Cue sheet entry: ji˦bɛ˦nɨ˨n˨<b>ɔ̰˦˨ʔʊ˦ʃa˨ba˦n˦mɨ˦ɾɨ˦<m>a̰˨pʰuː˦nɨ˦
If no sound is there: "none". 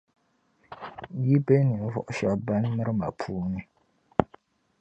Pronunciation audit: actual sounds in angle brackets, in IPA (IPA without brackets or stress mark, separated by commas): v, m